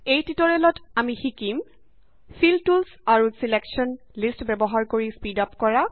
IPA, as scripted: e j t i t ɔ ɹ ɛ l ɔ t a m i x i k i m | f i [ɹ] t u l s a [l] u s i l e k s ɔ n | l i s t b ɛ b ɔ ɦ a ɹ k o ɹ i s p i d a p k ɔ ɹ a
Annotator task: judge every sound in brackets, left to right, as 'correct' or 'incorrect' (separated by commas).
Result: incorrect, incorrect